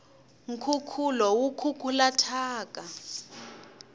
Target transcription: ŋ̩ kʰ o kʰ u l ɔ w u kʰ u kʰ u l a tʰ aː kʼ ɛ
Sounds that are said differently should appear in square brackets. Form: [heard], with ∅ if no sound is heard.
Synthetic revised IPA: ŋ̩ kʰ [u] kʰ u l ɔ w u kʰ u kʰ u l a tʰ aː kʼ [a]